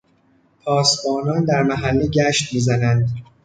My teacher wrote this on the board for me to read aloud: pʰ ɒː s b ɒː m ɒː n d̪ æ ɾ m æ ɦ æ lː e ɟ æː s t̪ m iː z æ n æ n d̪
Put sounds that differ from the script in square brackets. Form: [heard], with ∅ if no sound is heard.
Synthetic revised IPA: pʰ ɒː s b ɒː [n] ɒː n d̪ æ ɾ m æ ɦ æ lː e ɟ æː [ʃ] t̪ m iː z æ n æ n d̪